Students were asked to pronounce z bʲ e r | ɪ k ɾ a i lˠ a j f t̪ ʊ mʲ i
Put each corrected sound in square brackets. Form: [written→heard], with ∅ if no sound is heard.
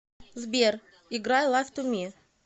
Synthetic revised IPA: z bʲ e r | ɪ [k→ɡ] ɾ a [i→j] lˠ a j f t̪ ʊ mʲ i